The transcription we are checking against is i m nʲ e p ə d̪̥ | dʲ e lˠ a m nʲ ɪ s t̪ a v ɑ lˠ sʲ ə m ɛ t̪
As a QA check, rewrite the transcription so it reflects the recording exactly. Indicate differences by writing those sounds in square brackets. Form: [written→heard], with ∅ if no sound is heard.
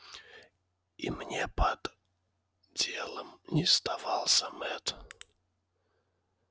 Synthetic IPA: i m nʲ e p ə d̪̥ | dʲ e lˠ [a→ə] m nʲ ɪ s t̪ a v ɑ lˠ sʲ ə m ɛ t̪